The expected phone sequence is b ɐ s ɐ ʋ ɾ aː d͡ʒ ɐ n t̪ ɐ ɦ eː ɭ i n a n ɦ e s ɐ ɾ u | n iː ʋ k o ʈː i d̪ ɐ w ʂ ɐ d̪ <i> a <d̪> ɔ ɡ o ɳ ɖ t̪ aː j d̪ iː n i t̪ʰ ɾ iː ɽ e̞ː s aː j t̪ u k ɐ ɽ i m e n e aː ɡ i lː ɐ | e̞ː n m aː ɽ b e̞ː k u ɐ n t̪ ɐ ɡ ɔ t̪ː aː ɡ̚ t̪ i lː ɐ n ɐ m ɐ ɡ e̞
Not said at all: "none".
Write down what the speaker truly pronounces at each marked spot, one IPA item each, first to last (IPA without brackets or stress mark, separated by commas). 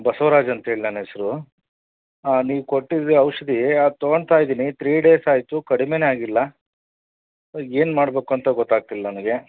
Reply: i, t̪